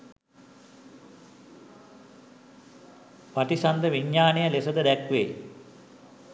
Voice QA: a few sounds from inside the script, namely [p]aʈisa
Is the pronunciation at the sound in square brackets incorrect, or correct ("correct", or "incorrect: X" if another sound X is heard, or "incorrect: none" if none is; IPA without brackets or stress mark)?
correct